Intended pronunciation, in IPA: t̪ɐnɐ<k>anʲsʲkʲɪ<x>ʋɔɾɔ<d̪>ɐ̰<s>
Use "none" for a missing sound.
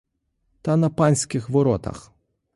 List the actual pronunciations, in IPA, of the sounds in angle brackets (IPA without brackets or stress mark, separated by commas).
p, x, t̪, x